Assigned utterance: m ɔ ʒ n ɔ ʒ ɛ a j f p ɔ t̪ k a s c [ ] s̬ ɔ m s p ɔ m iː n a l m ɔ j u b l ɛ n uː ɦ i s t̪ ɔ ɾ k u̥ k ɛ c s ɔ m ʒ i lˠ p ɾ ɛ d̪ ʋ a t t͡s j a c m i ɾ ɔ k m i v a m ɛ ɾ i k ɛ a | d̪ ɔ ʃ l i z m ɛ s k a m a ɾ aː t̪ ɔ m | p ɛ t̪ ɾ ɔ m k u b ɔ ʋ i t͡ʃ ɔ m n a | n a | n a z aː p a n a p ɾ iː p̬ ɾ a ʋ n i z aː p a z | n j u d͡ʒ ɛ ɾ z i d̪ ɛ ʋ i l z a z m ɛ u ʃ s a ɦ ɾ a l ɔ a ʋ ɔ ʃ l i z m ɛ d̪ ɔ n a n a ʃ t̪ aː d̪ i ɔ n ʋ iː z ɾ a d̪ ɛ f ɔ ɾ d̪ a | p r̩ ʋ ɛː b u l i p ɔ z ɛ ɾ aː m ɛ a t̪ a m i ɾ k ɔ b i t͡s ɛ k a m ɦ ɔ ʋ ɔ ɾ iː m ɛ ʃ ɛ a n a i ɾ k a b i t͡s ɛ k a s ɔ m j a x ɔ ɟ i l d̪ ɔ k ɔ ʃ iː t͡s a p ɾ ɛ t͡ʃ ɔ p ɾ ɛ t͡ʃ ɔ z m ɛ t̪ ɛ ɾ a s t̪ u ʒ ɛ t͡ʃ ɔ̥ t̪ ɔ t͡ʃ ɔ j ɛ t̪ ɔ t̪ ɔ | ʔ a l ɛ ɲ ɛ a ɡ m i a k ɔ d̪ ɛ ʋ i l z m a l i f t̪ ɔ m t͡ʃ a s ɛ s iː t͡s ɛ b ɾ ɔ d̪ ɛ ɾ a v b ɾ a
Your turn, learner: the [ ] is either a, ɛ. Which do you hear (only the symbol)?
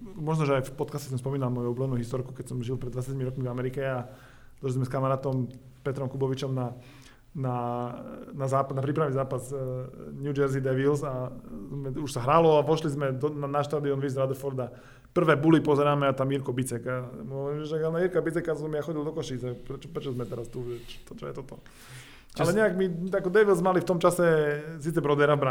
ɛ